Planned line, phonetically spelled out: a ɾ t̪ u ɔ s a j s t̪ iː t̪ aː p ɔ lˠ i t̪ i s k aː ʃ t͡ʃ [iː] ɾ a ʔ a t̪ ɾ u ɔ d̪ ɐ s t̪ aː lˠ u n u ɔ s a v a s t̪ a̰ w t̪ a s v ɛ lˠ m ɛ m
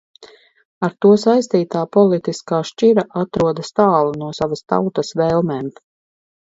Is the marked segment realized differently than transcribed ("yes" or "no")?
yes